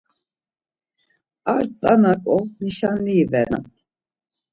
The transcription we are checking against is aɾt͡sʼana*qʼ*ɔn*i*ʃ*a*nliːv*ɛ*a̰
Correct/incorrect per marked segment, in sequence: incorrect: kʼ, correct, correct, correct

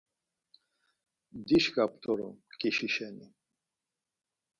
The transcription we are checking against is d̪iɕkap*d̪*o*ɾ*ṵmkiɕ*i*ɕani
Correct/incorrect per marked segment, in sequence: incorrect: t̪, correct, correct

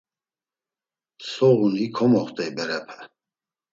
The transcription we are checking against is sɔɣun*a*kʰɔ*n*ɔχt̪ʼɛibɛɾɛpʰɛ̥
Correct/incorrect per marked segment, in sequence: incorrect: i, incorrect: m

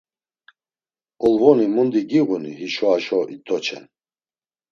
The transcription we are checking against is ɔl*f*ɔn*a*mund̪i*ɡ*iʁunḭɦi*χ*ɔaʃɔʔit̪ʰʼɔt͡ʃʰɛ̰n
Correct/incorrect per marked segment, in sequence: incorrect: v, incorrect: i, correct, incorrect: ʃ

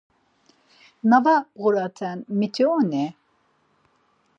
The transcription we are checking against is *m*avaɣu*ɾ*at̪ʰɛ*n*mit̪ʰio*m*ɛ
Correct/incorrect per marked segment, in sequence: incorrect: n, correct, correct, incorrect: n

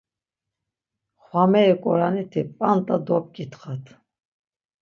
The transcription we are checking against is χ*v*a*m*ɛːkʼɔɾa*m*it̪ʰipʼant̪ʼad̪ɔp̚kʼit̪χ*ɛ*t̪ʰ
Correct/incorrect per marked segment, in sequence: incorrect: w, correct, incorrect: n, incorrect: a

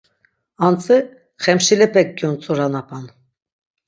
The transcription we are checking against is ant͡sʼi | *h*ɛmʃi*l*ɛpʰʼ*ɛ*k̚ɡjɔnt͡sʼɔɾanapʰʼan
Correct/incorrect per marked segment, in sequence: incorrect: χ, correct, correct

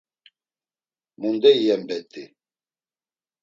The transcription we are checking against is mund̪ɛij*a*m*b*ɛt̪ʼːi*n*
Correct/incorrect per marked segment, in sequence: incorrect: ɛ, correct, incorrect: none

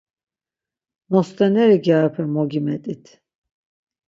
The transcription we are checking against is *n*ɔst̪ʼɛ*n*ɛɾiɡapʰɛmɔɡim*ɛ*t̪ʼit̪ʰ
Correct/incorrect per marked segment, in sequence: correct, correct, correct

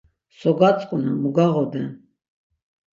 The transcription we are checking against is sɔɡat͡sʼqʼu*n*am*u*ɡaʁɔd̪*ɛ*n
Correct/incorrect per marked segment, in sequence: correct, correct, correct

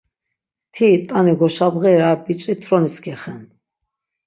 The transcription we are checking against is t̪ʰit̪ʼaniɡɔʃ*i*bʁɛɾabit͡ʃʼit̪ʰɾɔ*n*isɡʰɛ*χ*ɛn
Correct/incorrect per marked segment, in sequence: incorrect: a, correct, correct

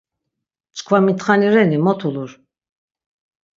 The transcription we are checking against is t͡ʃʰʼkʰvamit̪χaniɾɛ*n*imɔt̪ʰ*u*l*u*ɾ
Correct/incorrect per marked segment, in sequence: correct, correct, correct

